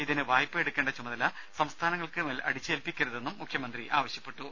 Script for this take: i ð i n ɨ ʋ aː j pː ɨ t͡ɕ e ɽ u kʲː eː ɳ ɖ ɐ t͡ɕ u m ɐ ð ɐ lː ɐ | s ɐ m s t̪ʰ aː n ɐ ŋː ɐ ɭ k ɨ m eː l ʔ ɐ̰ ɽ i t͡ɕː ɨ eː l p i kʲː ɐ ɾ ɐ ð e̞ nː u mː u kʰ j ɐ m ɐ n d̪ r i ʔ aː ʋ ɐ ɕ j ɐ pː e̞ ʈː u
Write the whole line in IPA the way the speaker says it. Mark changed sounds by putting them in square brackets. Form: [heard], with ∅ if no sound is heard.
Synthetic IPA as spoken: i ð i n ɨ ʋ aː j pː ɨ [∅] e ɽ u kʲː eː ɳ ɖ ɐ t͡ɕ u m ɐ ð ɐ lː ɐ | s ɐ m s t̪ʰ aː n ɐ ŋː ɐ ɭ k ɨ m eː l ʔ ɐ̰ ɽ i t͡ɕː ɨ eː l p i kʲː ɐ ɾ ɐ ð e̞ nː u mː u kʰ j ɐ m ɐ n d̪ r i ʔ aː ʋ ɐ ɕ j ɐ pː e̞ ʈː u